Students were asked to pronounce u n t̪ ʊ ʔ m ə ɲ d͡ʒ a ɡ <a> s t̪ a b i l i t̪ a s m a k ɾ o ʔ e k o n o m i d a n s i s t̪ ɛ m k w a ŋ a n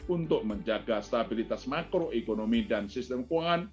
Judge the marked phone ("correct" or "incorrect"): correct